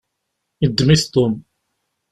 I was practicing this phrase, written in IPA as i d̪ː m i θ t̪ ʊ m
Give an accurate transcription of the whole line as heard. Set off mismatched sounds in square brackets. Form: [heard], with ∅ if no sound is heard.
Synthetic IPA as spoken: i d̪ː m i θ t̪ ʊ m

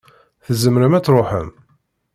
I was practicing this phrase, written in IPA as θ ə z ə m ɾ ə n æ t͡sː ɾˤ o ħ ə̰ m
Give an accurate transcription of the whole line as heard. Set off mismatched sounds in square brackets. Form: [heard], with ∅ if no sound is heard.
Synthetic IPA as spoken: θ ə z ə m ɾ ə [m] æ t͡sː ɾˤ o ħ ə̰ m

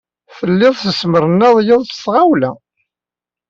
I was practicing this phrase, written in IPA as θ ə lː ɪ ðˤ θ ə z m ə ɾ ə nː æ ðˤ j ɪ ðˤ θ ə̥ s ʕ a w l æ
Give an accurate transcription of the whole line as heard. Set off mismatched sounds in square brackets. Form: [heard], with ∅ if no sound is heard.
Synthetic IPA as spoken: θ ə lː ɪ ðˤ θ ə [s] m ə ɾ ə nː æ ðˤ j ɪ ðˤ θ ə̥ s [ʁ] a w l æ

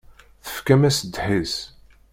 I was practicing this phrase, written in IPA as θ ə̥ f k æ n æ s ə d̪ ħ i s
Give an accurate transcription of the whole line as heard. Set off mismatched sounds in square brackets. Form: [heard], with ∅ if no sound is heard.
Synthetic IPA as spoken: θ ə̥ f k æ [m] æ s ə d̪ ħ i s

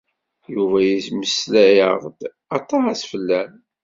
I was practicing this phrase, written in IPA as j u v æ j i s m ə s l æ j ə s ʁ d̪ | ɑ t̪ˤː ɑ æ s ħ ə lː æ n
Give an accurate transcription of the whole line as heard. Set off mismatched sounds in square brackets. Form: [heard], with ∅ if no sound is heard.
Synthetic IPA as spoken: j u v æ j i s m ə s l æ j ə [∅] ʁ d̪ | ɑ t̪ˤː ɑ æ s [f] ə lː æ n

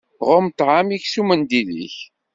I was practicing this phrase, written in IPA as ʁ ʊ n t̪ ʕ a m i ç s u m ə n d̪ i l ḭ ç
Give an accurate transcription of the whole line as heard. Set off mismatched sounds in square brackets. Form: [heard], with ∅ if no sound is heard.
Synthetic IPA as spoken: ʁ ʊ [m] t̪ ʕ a m i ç s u m ə n d̪ i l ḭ ç

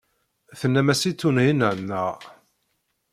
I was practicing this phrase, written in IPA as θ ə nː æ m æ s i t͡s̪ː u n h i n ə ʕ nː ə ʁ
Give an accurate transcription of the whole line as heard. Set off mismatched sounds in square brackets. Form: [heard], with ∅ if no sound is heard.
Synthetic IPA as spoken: θ ə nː æ m æ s i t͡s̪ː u n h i n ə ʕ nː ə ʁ

